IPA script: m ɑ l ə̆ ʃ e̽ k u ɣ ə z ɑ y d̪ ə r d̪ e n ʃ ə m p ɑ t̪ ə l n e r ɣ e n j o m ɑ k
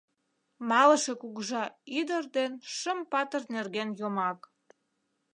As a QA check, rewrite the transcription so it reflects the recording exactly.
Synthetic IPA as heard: m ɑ l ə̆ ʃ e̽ k u ɣ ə ʒ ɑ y d̪ ə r d̪ e n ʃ ə m p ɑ t̪ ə r n e r ɣ e n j o m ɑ k